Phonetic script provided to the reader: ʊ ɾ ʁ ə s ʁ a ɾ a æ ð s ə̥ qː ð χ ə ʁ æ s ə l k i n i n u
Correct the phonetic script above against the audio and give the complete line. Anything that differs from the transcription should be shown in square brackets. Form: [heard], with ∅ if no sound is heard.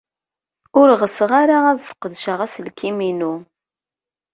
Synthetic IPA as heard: ʊ ɾ ʁ ə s ʁ a ɾ a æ ð s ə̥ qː ð [ʃ] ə ʁ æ s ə l k i [m] i n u